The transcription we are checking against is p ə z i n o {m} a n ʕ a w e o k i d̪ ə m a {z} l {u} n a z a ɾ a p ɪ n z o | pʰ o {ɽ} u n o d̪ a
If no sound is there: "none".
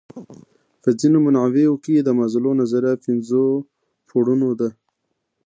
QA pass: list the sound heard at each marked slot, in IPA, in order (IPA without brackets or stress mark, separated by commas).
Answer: m, z, o, ɽ